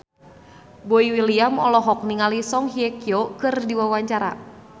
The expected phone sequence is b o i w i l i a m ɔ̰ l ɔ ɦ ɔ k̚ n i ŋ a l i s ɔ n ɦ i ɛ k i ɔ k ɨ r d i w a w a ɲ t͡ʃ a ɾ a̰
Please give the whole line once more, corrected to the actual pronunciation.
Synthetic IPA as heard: b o i w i l i a m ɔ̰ l ɔ ɦ ɔ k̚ n i ŋ a l i s ɔ ŋ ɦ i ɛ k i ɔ k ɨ r d i w a w a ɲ t͡ʃ a ɾ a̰